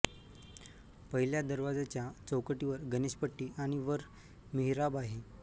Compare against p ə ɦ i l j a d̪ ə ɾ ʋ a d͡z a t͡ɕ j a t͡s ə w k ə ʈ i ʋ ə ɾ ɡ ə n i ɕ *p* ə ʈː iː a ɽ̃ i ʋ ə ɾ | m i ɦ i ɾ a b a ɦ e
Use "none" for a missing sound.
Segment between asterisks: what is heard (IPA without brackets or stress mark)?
p